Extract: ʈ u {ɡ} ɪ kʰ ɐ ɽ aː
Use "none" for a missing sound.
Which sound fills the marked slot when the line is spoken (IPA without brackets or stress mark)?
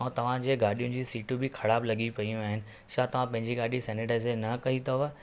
b